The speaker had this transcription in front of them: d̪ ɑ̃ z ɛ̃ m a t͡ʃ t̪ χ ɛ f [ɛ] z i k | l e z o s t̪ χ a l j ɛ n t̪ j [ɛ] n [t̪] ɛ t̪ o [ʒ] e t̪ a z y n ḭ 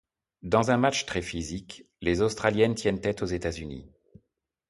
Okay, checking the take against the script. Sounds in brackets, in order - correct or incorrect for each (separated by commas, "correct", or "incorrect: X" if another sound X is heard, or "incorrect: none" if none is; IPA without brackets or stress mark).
incorrect: i, correct, correct, incorrect: z